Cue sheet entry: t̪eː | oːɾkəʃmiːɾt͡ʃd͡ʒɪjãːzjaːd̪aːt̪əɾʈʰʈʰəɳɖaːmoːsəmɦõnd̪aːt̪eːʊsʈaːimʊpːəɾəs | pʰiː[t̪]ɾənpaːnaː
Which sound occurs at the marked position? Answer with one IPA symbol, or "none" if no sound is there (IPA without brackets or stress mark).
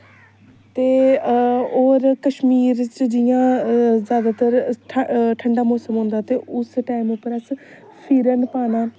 none